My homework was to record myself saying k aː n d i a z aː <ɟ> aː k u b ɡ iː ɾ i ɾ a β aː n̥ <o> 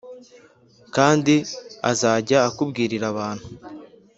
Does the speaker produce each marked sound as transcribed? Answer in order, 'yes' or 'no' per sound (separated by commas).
yes, no